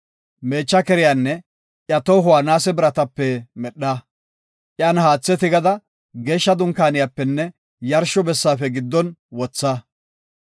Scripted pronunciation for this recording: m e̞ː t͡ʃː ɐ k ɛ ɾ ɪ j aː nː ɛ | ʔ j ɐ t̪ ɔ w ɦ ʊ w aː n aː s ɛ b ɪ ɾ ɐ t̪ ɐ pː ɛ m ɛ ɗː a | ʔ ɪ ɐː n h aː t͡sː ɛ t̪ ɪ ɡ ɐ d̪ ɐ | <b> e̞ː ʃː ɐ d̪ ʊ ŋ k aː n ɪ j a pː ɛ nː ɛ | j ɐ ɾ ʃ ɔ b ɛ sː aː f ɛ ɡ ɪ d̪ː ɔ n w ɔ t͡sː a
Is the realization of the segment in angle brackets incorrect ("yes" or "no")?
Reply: yes